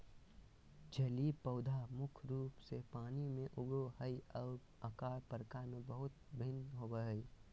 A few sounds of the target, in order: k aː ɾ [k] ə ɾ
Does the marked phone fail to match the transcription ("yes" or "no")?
yes